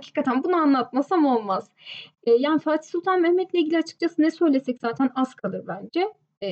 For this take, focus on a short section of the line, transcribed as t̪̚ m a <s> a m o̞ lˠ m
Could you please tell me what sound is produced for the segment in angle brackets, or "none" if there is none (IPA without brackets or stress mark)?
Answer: s